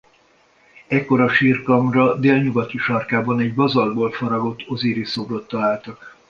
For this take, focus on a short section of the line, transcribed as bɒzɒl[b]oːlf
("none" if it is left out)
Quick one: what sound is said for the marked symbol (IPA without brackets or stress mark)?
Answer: b